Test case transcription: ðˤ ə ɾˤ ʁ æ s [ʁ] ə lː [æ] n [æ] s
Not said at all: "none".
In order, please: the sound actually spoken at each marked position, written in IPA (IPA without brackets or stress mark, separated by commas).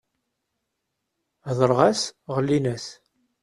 ʁ, i, æ